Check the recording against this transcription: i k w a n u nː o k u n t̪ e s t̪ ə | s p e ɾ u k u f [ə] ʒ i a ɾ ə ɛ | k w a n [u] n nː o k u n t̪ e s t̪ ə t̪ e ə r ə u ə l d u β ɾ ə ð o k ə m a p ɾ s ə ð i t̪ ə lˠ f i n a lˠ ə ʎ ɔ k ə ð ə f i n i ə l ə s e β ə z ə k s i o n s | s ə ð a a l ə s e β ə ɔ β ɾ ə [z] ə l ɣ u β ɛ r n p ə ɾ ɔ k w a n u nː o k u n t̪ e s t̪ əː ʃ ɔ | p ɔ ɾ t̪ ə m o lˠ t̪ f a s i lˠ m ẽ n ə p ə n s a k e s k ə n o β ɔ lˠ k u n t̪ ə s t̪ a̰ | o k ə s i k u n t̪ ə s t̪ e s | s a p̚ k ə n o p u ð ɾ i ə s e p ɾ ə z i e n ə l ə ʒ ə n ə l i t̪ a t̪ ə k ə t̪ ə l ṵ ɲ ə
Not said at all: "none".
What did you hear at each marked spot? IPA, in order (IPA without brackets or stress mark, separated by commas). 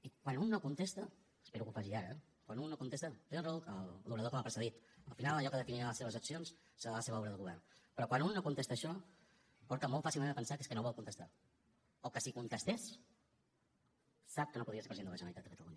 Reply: a, u, ð